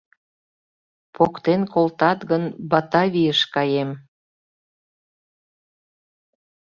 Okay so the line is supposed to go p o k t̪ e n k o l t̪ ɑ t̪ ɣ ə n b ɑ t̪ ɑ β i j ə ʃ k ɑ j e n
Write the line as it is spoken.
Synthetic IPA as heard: p o k t̪ e n k o l t̪ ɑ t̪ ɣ ə n b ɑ t̪ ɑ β i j ə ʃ k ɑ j e m